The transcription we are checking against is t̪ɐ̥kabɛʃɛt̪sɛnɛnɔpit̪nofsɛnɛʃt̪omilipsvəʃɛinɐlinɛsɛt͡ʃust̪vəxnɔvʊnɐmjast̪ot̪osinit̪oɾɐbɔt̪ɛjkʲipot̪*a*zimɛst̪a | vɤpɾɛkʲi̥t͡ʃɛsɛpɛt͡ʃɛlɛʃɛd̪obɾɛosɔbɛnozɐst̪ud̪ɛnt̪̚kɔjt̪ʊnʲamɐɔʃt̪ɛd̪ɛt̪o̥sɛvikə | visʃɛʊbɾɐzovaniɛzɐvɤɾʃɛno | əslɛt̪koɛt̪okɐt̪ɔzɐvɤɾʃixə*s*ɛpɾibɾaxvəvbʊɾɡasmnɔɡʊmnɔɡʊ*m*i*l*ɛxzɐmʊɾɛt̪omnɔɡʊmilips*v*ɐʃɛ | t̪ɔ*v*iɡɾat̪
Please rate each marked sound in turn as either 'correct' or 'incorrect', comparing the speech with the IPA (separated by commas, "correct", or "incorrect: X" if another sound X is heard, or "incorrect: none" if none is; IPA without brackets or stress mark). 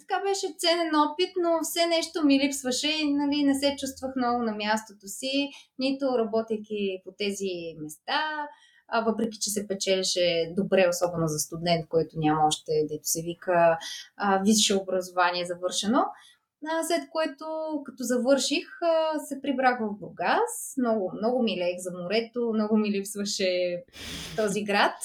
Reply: incorrect: ɛ, correct, correct, correct, correct, incorrect: z